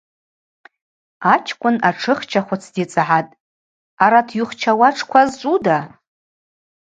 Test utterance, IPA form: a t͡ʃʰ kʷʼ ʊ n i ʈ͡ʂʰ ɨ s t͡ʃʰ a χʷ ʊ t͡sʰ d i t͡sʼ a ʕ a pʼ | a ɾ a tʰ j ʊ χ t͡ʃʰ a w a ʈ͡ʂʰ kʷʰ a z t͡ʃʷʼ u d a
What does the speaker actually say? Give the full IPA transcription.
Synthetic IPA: a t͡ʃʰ kʷʼ ʊ n a ʈ͡ʂʰ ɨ χ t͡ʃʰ a χʷ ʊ t͡sʰ d i t͡sʼ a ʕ a tʼ | a ɾ a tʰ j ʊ χ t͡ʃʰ a w a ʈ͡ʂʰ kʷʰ a z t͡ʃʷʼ u d a